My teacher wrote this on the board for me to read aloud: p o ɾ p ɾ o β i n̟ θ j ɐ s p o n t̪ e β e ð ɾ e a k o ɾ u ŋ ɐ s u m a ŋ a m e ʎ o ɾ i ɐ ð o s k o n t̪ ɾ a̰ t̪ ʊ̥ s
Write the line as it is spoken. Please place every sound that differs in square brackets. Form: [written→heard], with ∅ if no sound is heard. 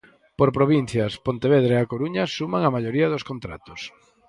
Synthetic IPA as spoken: p o ɾ p ɾ o β i n̟ θ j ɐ s p o n t̪ e β e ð ɾ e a k o ɾ u [ŋ→ɲ] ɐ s u m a ŋ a m [e→a] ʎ o ɾ i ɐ ð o s k o n t̪ ɾ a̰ t̪ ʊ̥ s